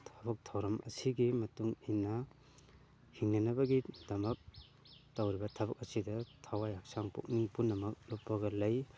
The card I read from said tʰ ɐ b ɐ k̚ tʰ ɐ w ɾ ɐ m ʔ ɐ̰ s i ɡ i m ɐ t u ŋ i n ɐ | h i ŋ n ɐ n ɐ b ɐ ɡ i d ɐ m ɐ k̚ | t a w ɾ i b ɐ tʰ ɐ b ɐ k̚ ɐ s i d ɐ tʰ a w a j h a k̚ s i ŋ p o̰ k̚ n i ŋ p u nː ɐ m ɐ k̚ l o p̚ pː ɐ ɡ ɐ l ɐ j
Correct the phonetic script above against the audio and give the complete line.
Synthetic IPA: tʰ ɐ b ɐ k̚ tʰ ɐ w ɾ ɐ m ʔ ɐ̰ s i ɡ i m ɐ t u ŋ i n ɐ | h i ŋ n ɐ n ɐ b ɐ ɡ i d ɐ m ɐ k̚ | t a w ɾ i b ɐ tʰ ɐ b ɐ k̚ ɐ s i d ɐ tʰ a w a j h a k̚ s a ŋ p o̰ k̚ n i ŋ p u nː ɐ m ɐ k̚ l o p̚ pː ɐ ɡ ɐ l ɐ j